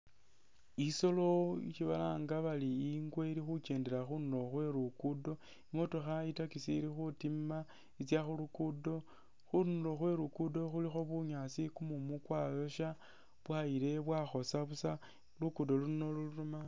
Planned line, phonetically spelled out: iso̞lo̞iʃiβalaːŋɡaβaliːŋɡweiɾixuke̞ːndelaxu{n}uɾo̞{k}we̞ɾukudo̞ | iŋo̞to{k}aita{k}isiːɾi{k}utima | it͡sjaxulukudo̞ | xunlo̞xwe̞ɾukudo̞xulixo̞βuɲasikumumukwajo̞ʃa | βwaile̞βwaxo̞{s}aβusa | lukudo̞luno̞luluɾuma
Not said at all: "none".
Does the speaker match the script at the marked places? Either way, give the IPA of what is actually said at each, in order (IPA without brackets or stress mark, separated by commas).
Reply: n, x, x, k, x, s